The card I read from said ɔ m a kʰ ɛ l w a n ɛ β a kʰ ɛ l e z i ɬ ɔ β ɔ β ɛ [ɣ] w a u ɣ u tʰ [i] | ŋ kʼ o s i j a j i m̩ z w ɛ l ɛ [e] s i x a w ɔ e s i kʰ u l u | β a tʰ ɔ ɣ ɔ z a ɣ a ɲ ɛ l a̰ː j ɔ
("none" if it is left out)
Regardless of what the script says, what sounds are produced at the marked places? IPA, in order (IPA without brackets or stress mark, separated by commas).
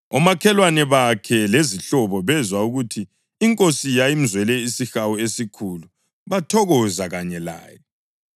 z, iː, i